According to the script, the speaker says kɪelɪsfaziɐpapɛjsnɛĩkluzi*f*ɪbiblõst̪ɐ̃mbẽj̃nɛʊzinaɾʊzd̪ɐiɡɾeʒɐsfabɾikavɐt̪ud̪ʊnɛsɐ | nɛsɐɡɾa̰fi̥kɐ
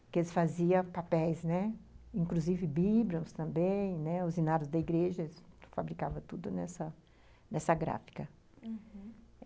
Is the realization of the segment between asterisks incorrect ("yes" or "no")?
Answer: yes